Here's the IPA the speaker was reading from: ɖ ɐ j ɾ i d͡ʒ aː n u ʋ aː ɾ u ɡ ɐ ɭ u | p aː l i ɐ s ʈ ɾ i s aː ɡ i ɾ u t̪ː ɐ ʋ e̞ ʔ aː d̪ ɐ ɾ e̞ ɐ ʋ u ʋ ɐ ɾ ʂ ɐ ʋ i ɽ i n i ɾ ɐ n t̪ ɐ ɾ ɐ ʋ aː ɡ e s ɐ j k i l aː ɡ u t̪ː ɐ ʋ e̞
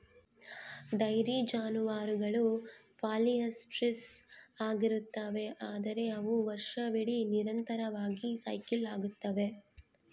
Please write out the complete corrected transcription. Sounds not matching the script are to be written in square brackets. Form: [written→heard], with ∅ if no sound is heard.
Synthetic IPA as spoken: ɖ ɐ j ɾ i d͡ʒ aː n u ʋ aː ɾ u ɡ ɐ ɭ u | p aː l i ɐ s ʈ ɾ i s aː ɡ i ɾ u t̪ː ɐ ʋ e̞ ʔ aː d̪ ɐ ɾ e̞ ɐ ʋ u ʋ ɐ ɾ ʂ ɐ ʋ i ɽ i n i ɾ ɐ n t̪ ɐ ɾ ɐ ʋ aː ɡ [e→i] s ɐ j k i l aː ɡ u t̪ː ɐ ʋ e̞